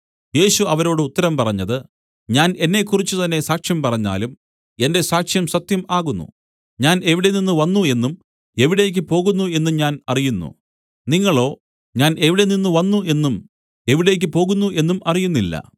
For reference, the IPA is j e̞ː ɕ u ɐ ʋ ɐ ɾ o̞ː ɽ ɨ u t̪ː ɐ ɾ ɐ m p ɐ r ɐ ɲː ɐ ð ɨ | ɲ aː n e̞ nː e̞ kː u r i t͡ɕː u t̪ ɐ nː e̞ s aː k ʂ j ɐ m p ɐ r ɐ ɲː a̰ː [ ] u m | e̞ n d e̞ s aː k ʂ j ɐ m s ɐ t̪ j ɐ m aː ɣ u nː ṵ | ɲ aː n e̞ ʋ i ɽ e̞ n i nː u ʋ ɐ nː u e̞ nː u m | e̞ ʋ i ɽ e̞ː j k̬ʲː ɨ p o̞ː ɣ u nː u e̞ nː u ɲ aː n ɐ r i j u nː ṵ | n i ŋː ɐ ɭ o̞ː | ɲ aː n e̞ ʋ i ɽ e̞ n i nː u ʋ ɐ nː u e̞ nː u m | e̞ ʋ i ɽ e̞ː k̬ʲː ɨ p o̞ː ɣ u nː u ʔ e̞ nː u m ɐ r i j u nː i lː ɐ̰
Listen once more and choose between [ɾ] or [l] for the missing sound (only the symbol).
l